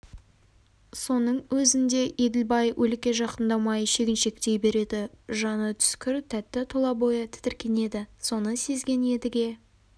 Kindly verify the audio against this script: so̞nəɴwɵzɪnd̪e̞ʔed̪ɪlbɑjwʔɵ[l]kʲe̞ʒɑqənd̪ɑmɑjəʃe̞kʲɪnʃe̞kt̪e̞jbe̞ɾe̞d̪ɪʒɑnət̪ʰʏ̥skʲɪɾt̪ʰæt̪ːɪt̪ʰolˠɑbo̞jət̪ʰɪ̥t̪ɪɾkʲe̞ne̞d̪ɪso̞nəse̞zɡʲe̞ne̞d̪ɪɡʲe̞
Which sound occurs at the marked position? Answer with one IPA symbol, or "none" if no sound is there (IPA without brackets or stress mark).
l